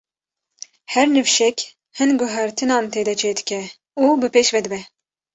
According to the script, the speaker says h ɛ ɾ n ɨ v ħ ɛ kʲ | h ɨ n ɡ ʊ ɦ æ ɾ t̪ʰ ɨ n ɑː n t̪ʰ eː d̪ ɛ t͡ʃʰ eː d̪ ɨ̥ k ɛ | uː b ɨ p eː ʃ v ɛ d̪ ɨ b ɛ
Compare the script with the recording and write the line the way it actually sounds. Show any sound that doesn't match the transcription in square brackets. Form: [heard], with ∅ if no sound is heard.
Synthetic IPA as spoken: h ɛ ɾ n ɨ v [ʃ] ɛ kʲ | h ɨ n ɡ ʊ ɦ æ ɾ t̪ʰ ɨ n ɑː n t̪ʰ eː d̪ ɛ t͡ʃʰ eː d̪ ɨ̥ k ɛ | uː b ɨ p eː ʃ v ɛ d̪ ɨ b ɛ

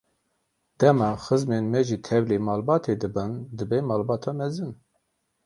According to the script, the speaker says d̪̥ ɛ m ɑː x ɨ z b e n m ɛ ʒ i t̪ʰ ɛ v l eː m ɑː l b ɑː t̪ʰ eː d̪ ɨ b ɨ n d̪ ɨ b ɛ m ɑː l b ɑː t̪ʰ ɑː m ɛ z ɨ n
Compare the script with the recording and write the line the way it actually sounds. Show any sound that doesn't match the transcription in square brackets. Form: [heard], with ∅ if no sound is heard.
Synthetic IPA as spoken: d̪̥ ɛ m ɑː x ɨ z [m] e n m ɛ ʒ i t̪ʰ ɛ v l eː m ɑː l b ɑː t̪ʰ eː d̪ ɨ b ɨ n d̪ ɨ b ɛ m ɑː l b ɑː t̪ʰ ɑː m ɛ z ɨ n

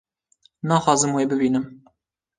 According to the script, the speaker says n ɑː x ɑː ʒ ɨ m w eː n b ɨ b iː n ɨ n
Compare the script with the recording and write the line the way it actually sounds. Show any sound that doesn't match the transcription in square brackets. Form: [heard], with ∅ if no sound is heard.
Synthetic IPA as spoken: n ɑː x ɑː [z] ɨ m w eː [∅] b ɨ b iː n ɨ [m]

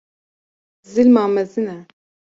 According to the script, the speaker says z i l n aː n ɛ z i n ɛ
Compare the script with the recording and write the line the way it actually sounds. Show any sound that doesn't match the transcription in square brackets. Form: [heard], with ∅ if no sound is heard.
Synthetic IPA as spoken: z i l [m] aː [m] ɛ z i n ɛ

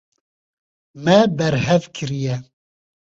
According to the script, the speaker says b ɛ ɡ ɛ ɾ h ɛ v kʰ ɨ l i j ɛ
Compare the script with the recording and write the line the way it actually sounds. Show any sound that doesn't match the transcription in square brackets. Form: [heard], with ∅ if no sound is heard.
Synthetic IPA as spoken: [m] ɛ [b] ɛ ɾ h ɛ v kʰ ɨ [ɾ] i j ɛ

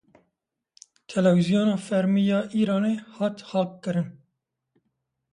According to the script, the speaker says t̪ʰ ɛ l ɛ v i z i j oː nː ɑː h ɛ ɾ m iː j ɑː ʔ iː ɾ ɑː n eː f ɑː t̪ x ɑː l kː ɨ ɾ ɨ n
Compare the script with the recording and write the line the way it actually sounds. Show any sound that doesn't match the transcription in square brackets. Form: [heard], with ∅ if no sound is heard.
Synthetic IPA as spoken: t̪ʰ ɛ l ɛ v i z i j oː [n] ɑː [f] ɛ ɾ m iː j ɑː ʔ iː ɾ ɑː n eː [h] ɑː t̪ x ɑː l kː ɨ ɾ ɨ n

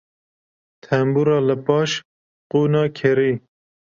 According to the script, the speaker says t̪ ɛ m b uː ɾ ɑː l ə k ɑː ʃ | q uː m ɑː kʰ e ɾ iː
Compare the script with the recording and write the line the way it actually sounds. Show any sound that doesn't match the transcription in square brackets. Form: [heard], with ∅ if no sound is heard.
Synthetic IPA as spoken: [t̪ʰ] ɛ m b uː ɾ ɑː l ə [p] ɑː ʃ | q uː [n] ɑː kʰ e ɾ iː

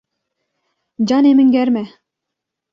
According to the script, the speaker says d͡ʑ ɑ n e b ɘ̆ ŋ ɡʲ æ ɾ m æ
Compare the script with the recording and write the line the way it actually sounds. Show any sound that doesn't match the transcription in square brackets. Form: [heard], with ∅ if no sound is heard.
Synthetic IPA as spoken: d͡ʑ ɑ n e [m] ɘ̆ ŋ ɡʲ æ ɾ m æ

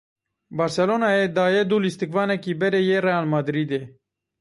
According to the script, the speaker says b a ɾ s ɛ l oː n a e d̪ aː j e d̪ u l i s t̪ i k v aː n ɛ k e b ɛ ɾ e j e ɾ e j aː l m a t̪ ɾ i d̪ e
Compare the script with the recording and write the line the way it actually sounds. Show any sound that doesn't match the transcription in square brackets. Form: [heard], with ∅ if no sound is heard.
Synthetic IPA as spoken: b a ɾ s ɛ l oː n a e d̪ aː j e d̪ u l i s t̪ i k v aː n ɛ k [i] b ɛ ɾ e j e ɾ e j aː l m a [d̪] ɾ i d̪ e

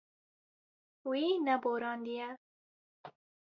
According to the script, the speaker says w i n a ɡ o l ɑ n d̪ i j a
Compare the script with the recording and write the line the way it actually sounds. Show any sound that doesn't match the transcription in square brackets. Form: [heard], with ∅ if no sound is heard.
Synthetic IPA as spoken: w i n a [b] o [ɾ] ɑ n d̪ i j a

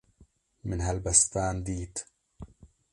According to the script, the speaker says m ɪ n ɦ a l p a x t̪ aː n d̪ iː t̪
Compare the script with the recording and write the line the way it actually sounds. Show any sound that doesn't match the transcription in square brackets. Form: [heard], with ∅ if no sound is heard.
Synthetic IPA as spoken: m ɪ n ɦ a l [b] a [s] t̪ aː n d̪ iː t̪

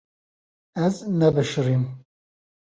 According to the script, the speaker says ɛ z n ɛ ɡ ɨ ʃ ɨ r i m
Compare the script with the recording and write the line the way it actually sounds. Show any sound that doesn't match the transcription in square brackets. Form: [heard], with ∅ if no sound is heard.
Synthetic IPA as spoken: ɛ z n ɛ [b] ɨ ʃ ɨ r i m

